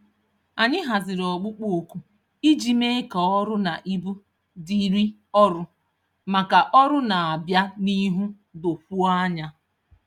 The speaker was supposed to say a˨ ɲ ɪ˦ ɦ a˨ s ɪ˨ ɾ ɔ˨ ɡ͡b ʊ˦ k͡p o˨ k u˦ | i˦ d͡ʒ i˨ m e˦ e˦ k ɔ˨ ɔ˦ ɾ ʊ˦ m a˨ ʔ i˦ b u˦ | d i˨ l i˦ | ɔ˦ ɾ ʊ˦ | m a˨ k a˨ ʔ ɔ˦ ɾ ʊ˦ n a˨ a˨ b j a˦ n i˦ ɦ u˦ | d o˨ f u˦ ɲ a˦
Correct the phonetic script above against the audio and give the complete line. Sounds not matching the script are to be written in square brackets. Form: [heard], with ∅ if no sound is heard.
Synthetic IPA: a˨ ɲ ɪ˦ ɦ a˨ [z] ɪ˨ ɾ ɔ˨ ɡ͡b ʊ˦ k͡p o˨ k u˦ | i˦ d͡ʒ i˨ m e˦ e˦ k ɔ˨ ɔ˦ ɾ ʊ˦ [n] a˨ ʔ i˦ b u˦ | d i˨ [ɾ] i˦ | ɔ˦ ɾ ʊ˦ | m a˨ k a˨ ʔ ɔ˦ ɾ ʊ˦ n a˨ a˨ b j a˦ n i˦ ɦ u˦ | d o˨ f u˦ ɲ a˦